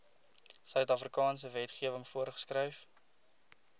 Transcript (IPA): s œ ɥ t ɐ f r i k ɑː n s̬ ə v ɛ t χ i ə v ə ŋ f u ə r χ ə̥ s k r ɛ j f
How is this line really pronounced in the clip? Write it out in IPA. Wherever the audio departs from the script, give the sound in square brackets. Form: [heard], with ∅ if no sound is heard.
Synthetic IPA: s œ ɥ t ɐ f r i k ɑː n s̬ ə v ɛ t χ i ə v ə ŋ f u ə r χ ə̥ s k r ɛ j f

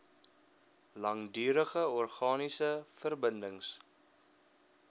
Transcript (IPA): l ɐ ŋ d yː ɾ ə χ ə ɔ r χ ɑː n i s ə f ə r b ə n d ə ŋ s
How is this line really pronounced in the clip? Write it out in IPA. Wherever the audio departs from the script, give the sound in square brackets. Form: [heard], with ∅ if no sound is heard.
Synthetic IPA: l ɐ ŋ d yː ɾ ə χ ə ɔ r χ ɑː n i s ə f ə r b ə n d ə ŋ s

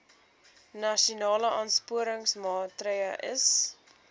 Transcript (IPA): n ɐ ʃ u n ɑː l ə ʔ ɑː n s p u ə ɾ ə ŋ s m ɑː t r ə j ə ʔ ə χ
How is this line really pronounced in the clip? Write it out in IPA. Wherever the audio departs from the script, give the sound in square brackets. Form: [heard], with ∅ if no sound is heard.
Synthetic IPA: n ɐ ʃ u n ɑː l ə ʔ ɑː n s p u ə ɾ ə ŋ s m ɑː t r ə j ə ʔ ə [s]

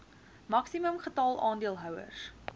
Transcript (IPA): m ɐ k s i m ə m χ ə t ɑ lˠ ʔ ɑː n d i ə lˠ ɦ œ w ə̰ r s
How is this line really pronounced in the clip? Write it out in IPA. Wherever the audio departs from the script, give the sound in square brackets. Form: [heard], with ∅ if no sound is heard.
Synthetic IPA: m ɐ k s i m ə m χ ə t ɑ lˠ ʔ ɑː n d i ə lˠ ɦ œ w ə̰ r s

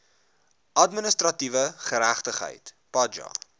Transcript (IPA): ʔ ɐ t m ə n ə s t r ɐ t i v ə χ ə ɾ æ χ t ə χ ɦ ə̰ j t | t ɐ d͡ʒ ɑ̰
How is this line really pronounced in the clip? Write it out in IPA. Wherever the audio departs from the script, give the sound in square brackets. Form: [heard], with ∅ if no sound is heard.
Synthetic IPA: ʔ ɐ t m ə n ə s t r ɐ t i v ə χ ə ɾ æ χ t ə χ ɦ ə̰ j t | [p] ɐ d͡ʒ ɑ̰

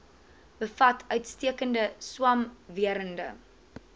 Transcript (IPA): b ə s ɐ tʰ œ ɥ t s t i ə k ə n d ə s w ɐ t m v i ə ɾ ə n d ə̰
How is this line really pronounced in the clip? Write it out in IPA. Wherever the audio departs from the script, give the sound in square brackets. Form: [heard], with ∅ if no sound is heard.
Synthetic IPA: b ə [f] ɐ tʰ œ ɥ t s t i ə k ə n d ə s w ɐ [∅] m v i ə ɾ ə n d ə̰

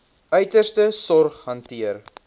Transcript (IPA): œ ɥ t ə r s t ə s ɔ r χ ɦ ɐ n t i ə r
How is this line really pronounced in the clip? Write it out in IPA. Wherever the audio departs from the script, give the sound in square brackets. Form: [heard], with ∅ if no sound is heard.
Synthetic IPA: œ ɥ t ə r s t ə s ɔ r χ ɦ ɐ n t i ə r

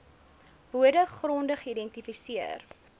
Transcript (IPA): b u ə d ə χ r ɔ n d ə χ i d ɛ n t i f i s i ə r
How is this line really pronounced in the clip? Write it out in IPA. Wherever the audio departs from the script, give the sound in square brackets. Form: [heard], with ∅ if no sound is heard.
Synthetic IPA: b u ə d ə χ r ɔ n d ə χ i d ɛ n t i f i s i ə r

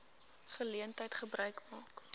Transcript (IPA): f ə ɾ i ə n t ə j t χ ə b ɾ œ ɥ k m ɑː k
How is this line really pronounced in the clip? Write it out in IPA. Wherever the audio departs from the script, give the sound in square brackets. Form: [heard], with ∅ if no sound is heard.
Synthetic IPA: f ə [l] i ə n t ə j t χ ə b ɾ œ ɥ k m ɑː k

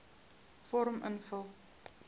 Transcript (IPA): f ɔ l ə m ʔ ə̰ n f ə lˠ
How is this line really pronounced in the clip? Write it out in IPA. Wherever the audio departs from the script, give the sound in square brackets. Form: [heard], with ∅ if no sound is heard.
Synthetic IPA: f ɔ [ɾ] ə m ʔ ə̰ n f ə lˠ

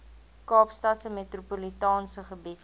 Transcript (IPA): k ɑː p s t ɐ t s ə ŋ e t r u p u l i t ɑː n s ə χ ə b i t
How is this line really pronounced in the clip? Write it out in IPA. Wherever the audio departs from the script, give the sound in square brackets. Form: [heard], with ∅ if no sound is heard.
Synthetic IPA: k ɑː p s t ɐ t s ə [m] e t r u p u l i t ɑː n s ə χ ə b i t

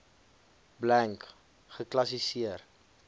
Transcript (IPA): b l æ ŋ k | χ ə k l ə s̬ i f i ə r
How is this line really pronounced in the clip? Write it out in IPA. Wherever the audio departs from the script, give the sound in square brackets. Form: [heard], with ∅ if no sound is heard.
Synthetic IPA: b l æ ŋ k | χ ə k l [ɐ] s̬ i [s] i ə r

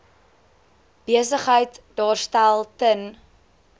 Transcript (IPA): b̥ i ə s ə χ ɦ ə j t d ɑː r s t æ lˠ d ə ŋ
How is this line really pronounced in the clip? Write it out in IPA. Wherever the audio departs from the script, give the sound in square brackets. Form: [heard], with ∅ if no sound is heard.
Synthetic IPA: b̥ i ə s ə χ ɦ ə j t d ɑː r s t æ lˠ [t] ə [n]

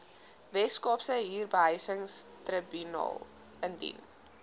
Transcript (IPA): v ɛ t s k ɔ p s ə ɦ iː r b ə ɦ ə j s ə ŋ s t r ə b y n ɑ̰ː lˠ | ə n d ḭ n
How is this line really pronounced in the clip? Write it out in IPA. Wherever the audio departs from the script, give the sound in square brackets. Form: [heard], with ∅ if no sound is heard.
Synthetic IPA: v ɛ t s k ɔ p s ə ɦ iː r b ə ɦ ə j s ə ŋ s t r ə b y n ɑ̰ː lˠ | ə n d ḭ n

